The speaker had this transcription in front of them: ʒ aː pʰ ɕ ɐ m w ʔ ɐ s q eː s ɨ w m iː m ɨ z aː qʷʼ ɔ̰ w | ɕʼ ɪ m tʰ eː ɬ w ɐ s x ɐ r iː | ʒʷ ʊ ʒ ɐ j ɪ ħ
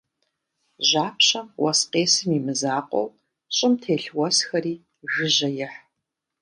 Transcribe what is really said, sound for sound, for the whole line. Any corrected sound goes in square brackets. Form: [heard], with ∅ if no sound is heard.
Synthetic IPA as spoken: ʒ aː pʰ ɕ ɐ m w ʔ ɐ s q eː s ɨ [∅] m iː m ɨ z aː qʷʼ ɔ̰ w | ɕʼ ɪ m tʰ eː ɬ w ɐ s x ɐ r iː | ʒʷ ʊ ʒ ɐ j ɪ ħ